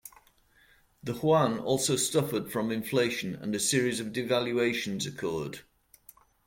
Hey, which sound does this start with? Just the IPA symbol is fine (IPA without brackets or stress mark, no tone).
ð